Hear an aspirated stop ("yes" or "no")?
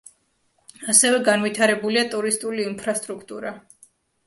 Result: yes